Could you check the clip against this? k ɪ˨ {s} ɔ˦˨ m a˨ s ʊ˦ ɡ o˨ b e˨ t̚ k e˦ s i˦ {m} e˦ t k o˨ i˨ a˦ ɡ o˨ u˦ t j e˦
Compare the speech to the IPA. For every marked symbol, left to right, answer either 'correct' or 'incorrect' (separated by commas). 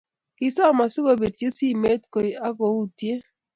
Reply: correct, correct